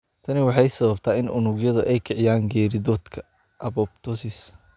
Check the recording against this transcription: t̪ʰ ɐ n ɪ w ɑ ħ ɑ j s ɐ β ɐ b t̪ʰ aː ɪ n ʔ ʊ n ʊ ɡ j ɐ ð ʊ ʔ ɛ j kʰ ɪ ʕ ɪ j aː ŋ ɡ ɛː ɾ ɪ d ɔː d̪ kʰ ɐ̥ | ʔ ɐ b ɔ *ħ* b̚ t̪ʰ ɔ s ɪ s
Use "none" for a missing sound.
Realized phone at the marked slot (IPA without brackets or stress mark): none